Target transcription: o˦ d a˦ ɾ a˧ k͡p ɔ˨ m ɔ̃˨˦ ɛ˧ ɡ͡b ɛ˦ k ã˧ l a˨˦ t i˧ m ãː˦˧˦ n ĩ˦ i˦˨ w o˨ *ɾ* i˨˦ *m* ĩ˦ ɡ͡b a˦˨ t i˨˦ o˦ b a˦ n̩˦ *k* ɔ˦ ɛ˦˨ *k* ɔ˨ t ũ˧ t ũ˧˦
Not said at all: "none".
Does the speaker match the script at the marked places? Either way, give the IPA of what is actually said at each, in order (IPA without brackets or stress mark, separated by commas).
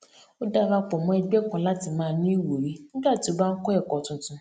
ɾ, n, k, k